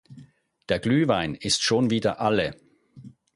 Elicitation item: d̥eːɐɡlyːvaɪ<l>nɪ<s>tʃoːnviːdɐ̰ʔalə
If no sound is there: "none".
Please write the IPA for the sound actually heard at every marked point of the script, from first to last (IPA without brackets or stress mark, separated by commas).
none, s